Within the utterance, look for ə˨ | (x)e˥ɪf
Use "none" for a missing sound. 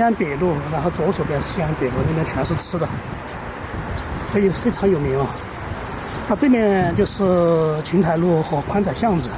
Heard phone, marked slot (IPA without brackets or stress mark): f